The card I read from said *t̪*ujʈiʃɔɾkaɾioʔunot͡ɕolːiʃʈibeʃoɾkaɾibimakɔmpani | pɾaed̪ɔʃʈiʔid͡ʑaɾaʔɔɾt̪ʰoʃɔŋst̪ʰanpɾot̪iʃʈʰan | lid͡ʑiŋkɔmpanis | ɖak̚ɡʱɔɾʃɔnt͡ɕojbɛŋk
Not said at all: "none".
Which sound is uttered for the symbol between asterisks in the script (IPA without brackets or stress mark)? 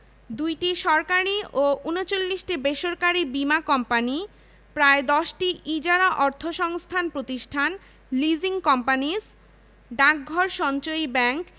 d̪